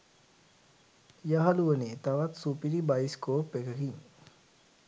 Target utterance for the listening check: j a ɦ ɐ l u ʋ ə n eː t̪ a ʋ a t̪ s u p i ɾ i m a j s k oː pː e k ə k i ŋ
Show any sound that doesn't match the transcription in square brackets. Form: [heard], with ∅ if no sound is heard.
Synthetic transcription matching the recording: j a ɦ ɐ l u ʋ ə n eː t̪ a ʋ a t̪ s u p i ɾ i [b] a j s k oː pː e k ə k i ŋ